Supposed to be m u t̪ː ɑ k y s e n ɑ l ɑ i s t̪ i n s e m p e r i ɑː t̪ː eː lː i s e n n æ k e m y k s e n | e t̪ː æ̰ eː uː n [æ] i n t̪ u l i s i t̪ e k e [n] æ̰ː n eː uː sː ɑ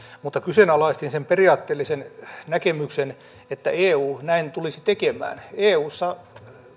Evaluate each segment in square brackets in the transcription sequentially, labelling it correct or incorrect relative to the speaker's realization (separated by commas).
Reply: correct, incorrect